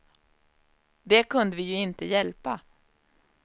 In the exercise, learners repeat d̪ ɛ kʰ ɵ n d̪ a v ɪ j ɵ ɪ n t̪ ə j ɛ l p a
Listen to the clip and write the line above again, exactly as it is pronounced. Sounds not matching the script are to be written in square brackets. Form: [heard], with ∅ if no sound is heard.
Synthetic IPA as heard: d̪ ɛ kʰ ɵ n d̪ [ə] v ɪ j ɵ ɪ n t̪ ə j ɛ l p a